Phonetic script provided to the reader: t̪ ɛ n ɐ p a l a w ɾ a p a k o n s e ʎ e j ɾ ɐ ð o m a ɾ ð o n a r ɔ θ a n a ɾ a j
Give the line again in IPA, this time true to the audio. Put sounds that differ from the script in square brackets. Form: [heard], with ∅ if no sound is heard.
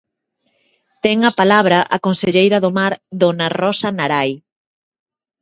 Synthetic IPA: t̪ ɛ [ŋ] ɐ p a l a [β] ɾ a [ʔ] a k o n s e ʎ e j ɾ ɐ ð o m a ɾ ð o n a r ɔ [s] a n a ɾ a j